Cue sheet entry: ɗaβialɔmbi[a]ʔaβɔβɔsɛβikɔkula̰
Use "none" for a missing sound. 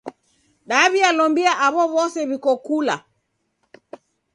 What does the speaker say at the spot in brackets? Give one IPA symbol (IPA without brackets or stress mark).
a